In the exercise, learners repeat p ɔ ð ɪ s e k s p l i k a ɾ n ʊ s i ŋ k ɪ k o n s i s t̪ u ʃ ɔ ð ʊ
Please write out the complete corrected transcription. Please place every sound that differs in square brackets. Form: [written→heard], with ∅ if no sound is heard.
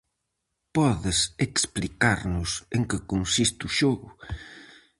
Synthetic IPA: p ɔ ð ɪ s e k s p l i k a ɾ n ʊ s [i→e] ŋ k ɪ k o n s i s t̪ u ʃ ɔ [ð→ɣ] ʊ